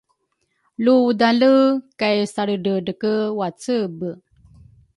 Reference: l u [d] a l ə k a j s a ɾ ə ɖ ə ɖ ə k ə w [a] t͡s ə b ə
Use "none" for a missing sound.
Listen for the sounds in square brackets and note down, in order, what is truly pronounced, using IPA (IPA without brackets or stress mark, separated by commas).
d, a